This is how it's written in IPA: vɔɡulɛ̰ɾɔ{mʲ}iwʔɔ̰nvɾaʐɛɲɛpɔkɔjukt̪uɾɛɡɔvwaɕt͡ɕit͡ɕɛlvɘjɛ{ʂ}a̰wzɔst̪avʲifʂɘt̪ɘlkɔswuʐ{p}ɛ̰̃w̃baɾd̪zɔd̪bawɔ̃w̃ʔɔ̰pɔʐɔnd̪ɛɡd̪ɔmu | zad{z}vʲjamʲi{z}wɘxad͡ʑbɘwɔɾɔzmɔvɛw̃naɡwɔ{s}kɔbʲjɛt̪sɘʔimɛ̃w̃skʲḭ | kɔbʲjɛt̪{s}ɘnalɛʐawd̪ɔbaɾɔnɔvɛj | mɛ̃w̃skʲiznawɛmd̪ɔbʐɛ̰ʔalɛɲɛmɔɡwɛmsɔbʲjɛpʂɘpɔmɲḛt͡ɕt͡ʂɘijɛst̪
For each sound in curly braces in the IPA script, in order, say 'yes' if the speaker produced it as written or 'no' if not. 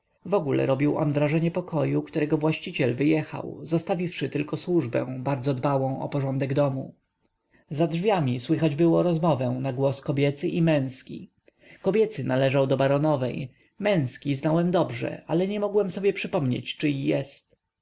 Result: no, no, no, no, no, yes, yes

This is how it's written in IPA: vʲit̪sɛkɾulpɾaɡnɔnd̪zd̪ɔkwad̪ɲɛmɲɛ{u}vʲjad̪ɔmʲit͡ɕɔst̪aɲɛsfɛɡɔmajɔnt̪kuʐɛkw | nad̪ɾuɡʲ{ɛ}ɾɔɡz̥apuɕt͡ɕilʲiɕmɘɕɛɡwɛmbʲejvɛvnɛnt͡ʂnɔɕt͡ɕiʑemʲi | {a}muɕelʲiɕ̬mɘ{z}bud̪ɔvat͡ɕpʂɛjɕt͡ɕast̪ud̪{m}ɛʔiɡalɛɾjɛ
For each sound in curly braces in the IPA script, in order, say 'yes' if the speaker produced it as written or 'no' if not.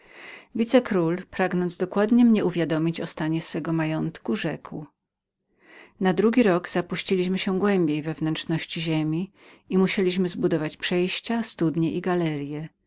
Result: yes, no, no, yes, no

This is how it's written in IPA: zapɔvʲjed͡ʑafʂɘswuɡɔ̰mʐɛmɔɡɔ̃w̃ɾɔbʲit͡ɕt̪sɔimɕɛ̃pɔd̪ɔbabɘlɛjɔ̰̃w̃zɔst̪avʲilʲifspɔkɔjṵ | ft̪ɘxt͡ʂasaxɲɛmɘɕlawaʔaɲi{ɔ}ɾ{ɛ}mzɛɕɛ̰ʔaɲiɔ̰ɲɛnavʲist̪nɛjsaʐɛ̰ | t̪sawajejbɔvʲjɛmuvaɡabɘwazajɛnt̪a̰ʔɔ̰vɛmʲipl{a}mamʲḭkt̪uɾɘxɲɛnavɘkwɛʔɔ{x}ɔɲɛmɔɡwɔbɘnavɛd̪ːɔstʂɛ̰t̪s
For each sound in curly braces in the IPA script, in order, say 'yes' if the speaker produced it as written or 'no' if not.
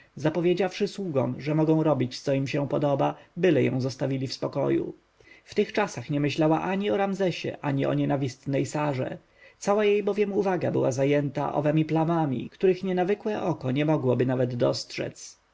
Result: yes, no, yes, no

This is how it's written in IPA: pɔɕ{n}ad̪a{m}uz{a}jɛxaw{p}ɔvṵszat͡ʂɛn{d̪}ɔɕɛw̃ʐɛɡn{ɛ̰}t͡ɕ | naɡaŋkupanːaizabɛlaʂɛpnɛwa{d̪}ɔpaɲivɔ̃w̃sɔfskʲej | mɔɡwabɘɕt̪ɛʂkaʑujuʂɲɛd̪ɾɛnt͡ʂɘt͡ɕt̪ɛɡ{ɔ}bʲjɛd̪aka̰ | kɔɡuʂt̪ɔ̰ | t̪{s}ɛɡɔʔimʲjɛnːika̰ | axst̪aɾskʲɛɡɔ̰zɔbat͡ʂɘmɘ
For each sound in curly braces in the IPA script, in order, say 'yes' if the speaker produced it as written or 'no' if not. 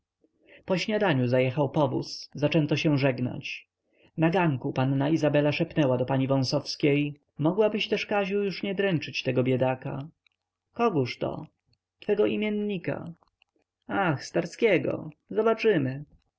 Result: no, no, yes, yes, no, no, yes, yes, no

